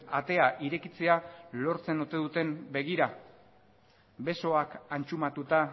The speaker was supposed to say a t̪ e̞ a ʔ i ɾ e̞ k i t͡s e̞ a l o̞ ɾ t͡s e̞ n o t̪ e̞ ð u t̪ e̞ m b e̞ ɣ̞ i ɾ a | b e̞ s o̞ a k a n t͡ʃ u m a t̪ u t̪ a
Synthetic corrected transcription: a t̪ e̞ a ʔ i ɾ e̞ k i t͡s e̞ a l o̞ ɾ t͡s e̞ n o t̪ e̞ ð u t̪ e̞ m b e̞ ɣ̞ i ɾ a | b e̞ s o̞ a k a n t͡ʃ u m a t̪ u t̪ a